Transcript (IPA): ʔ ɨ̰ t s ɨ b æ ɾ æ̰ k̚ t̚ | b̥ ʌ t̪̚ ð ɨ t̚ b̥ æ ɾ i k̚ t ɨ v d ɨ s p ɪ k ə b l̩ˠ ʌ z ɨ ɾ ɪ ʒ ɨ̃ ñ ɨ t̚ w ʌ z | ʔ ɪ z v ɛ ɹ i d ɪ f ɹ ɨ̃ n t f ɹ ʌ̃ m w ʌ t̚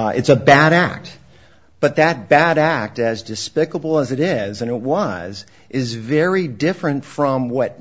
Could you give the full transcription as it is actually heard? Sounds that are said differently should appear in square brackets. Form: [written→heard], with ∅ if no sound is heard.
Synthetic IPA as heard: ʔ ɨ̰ t s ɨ b æ ɾ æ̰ k̚ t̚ | b̥ ʌ t̪̚ ð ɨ t̚ b̥ æ ɾ [i→æ] k̚ t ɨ [v→z] d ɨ s p ɪ k ə b l̩ˠ [ʌ→ə] z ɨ ɾ ɪ [ʒ→z] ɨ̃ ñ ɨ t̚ w ʌ z | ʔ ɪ z v ɛ ɹ i d ɪ f ɹ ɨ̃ n t f ɹ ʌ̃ m w ʌ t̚